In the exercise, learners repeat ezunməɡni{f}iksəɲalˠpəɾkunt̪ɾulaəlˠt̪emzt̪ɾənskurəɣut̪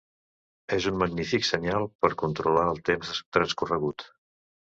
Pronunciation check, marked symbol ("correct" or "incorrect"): correct